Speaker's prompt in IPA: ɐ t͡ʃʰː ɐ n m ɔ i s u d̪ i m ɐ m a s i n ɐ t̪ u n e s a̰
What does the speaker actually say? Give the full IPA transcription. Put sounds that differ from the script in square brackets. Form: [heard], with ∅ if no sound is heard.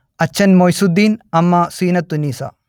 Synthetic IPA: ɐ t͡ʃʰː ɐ n m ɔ [j] s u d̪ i [n] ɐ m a s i n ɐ t̪ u n [i] s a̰